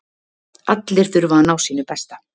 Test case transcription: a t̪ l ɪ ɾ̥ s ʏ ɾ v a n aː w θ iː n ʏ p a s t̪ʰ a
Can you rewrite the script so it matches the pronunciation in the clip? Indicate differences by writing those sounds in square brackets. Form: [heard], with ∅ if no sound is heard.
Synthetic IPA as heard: a t̪ l ɪ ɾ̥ [θ] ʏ ɾ v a n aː w [s] iː n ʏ p [ɛ] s [t̪] a